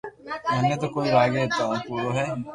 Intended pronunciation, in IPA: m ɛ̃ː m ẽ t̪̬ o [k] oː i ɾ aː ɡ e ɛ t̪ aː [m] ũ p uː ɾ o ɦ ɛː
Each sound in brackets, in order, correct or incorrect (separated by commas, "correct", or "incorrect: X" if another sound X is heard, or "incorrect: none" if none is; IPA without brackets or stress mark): correct, incorrect: none